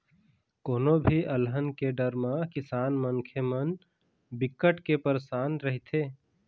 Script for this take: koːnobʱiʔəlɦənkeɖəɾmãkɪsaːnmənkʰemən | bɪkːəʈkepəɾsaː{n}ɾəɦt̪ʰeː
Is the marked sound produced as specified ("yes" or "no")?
yes